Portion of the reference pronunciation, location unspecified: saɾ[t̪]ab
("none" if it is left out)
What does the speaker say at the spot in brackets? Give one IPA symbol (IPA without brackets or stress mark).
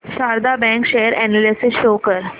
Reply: d̪